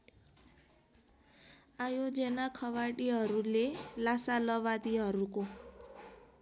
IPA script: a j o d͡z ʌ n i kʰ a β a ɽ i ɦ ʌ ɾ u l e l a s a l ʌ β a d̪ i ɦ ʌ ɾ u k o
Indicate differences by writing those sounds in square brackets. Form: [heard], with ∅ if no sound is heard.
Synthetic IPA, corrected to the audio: a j o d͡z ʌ n [a] kʰ [ʌ] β a ɽ i ɦ ʌ ɾ u l e l a s a l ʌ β a d̪ i ɦ ʌ ɾ u k o

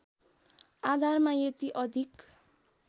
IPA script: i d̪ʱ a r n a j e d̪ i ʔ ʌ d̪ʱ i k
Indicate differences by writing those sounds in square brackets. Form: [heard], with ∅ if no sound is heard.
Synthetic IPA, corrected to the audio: [a] d̪ʱ a r [m] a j e [t̪] i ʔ ʌ d̪ʱ i k

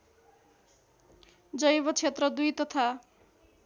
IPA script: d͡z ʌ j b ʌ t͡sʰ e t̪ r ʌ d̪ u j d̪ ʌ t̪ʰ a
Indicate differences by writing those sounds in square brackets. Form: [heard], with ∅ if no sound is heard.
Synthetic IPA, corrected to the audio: d͡z ʌ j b ʌ t͡sʰ e t̪ r ʌ d̪ u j [t̪] ʌ t̪ʰ a

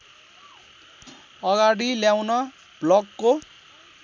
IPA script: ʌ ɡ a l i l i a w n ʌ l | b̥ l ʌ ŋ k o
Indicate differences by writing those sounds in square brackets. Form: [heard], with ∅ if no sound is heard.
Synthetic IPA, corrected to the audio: ʌ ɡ a [ɽ] i l [j] a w n ʌ [∅] | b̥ l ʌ [ɡ] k o

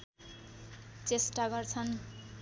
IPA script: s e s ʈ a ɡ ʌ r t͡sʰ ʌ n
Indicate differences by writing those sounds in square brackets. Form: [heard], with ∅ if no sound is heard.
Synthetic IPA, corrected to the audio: [t͡s] e s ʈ a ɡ ʌ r t͡sʰ ʌ n

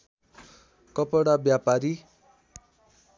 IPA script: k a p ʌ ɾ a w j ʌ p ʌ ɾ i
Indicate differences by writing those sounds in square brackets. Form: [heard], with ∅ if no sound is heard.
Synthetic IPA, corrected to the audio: k [ʌ] p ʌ [ɽ] a [b] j [a] p [a] ɾ i

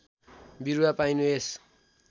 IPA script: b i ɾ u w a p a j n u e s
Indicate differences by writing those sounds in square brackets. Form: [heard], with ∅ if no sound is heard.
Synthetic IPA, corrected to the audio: b i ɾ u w a p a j n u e s

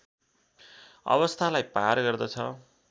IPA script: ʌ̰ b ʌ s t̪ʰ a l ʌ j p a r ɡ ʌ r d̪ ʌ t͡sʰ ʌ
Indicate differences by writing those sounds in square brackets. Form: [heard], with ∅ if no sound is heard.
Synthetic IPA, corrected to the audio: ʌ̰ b ʌ s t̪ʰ a l [a] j p a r ɡ ʌ r d̪ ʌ t͡sʰ ʌ

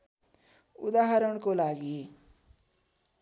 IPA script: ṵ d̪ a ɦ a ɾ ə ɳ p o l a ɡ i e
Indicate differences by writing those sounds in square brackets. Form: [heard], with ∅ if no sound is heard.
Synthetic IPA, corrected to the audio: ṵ d̪ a ɦ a ɾ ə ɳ [k] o l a ɡ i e

